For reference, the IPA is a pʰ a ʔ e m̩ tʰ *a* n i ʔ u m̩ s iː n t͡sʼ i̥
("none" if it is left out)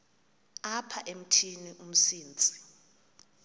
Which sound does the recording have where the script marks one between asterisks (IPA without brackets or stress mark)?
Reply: i